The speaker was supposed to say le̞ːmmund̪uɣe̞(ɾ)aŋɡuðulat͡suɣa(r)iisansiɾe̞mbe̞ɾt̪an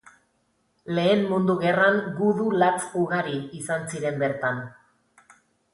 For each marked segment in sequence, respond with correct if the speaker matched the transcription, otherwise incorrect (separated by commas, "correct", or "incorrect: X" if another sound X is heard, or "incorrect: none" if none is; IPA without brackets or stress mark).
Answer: incorrect: r, incorrect: ɾ